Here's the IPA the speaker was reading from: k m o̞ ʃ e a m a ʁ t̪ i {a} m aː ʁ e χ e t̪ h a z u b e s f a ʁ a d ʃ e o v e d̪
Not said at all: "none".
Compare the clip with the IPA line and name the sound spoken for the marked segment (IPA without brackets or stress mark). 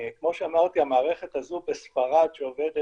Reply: a